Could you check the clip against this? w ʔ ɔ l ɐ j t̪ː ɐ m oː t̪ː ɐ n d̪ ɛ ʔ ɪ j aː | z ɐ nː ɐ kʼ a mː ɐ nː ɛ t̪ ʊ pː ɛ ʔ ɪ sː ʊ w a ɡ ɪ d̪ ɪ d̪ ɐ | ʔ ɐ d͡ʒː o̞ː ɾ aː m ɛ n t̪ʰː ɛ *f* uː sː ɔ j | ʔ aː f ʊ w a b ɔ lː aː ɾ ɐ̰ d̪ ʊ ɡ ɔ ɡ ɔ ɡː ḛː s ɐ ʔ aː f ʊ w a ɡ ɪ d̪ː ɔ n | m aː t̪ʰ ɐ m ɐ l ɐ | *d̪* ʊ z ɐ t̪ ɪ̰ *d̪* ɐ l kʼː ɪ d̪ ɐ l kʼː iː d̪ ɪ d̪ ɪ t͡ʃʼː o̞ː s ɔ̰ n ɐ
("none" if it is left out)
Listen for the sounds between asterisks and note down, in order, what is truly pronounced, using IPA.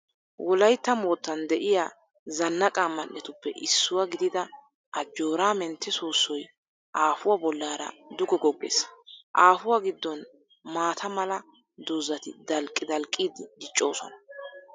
s, d̪, d̪

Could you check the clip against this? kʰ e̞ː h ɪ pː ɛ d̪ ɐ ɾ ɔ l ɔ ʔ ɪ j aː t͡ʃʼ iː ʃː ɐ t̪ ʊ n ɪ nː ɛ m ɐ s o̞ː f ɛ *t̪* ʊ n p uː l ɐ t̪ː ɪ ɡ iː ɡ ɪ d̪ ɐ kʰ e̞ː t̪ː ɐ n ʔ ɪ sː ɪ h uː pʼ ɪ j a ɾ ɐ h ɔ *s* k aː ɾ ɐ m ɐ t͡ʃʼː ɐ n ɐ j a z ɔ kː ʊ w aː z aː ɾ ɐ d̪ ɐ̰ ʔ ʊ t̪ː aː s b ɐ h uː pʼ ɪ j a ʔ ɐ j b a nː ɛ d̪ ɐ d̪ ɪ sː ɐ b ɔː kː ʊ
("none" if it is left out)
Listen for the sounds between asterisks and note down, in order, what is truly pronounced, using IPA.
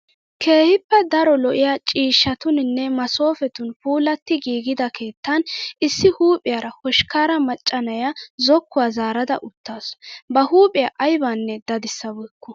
t̪, ʃ

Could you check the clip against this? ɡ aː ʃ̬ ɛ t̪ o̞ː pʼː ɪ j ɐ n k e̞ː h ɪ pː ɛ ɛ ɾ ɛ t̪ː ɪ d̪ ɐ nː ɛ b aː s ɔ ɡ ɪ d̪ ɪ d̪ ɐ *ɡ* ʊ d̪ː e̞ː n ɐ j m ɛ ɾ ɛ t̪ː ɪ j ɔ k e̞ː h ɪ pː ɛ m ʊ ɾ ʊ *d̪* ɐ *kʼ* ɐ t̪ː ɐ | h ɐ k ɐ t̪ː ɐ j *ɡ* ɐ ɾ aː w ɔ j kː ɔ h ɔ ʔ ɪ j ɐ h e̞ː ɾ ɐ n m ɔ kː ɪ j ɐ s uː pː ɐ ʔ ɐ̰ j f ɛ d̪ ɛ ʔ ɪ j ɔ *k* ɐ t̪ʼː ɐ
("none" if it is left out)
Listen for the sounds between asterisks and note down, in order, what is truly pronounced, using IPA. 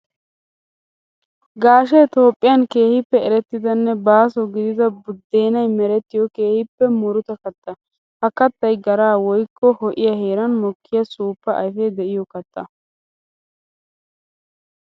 b, t̪, k, ɡ, k

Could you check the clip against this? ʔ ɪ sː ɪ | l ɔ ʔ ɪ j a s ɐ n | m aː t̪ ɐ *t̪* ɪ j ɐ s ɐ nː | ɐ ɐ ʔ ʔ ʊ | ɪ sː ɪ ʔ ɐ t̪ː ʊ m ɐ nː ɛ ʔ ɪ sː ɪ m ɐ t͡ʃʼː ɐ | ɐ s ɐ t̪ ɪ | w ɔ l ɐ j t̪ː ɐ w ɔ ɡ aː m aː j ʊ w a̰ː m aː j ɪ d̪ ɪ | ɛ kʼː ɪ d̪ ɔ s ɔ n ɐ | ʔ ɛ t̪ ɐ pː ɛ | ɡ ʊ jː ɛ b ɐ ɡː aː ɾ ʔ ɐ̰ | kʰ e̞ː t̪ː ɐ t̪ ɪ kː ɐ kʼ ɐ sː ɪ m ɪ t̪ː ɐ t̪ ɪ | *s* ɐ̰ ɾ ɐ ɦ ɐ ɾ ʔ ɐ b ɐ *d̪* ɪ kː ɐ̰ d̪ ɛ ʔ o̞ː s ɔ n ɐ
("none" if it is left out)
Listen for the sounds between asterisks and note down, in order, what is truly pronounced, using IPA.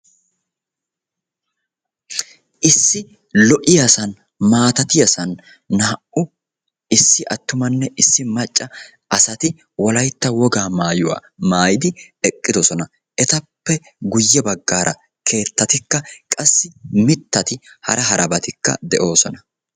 t̪, h, t̪

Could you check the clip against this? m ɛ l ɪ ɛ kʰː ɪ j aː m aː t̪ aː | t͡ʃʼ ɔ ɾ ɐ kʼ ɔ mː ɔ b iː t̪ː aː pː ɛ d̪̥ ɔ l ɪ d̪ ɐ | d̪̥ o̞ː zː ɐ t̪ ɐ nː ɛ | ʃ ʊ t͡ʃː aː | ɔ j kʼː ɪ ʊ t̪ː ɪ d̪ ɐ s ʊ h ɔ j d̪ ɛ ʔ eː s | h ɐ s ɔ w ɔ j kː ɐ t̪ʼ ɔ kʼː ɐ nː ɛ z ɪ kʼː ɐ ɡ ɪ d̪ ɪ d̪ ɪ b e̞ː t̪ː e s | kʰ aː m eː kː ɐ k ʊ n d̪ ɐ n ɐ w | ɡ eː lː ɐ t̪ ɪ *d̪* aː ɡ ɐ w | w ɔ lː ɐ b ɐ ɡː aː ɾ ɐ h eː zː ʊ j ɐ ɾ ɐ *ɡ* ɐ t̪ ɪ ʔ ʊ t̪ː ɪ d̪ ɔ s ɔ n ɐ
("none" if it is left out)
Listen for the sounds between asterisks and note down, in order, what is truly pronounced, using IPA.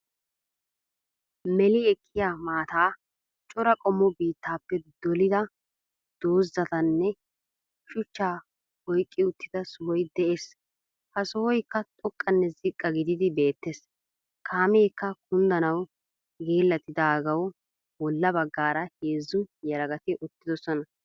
d̪, ɡ

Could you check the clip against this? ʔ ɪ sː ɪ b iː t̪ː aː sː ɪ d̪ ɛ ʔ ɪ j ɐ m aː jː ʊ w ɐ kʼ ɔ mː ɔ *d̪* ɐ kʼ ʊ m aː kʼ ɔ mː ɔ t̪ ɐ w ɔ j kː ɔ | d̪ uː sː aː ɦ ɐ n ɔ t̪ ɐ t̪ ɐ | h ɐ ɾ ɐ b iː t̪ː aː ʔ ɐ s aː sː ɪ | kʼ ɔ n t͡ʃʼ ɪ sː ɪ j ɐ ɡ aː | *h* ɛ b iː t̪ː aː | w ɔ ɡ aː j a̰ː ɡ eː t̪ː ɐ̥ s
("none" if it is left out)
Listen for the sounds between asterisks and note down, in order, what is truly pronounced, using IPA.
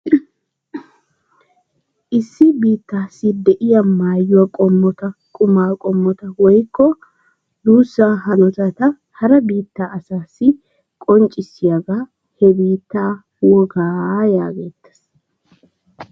t̪, h

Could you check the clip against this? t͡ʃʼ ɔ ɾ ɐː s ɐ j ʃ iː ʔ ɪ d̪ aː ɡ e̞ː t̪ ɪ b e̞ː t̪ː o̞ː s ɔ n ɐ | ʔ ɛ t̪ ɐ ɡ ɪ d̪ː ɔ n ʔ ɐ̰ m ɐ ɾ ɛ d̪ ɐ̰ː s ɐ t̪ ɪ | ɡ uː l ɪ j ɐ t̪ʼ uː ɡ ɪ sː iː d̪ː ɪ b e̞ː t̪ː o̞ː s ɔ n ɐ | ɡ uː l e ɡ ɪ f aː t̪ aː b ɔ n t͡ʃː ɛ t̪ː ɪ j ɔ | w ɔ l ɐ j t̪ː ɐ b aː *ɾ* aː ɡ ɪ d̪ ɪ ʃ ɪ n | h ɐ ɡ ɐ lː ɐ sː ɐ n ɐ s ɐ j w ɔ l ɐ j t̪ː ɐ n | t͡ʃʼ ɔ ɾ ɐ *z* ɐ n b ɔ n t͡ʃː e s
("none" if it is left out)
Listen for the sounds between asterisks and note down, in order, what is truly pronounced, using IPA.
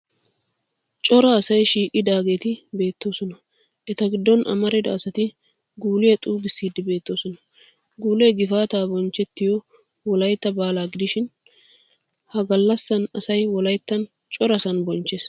l, s

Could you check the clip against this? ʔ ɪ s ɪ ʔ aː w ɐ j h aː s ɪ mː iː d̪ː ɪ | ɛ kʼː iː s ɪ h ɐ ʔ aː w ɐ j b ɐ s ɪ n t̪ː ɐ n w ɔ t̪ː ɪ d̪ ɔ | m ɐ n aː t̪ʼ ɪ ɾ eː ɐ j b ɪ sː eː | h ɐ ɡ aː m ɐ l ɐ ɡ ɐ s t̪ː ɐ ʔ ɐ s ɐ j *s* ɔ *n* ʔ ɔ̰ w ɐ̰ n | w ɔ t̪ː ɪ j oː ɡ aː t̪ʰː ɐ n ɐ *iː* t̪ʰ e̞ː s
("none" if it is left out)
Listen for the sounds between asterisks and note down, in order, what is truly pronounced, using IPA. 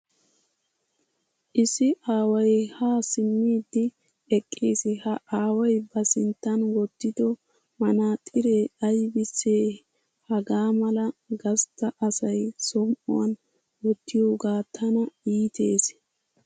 s, m, iː

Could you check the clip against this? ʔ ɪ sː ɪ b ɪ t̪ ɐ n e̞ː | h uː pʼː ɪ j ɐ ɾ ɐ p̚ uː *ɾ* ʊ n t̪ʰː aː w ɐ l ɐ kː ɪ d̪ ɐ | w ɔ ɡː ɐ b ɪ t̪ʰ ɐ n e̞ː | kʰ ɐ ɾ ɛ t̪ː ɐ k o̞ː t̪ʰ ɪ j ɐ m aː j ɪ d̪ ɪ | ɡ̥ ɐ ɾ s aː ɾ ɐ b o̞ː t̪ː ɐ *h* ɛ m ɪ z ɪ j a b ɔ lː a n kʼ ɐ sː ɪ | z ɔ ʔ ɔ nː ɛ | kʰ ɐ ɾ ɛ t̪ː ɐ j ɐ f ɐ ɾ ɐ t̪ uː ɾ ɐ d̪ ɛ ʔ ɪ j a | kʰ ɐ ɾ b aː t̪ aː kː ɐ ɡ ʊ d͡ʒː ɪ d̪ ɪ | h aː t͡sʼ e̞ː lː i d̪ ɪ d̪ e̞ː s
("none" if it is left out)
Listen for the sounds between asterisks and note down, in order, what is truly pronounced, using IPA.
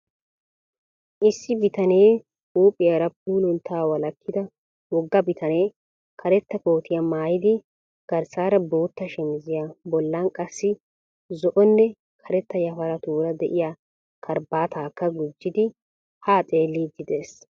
l, ʃ

